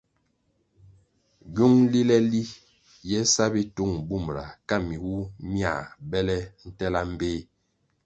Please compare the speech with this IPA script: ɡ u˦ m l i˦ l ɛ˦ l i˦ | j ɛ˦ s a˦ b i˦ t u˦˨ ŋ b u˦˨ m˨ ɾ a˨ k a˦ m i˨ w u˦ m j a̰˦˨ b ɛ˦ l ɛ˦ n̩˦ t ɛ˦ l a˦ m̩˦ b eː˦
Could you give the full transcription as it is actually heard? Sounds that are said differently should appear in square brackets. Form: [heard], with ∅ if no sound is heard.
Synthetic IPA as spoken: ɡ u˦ [ŋ] l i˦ l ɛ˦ l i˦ | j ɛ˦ s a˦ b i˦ t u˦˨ ŋ b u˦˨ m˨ ɾ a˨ k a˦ m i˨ w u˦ m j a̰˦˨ b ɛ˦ l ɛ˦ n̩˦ t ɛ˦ l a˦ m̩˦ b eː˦